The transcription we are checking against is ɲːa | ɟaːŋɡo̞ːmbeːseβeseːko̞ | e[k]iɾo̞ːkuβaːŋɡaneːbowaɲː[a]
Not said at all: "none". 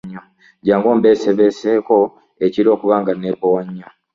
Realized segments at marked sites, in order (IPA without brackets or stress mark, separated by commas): c, a